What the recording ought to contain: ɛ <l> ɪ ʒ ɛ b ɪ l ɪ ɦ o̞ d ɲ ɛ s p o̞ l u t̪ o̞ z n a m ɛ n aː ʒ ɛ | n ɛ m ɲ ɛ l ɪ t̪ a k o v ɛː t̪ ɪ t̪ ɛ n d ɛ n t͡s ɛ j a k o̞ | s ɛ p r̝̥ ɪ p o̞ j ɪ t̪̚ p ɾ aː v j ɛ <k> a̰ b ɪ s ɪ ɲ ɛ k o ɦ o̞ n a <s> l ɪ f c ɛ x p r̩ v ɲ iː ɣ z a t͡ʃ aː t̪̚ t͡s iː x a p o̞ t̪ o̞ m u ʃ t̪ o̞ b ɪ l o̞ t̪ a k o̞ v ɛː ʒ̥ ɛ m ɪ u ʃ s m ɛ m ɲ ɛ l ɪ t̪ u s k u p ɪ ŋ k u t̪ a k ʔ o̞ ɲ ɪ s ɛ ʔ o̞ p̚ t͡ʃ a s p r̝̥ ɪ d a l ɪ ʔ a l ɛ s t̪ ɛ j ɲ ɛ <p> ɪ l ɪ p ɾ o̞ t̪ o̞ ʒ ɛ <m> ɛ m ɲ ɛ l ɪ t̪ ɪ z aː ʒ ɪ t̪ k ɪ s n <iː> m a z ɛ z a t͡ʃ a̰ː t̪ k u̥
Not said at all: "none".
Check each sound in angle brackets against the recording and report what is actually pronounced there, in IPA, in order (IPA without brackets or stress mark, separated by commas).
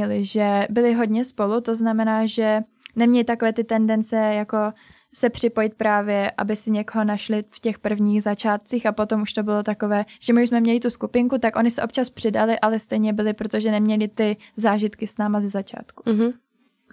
l, ʔ, ʃ, b, n, aː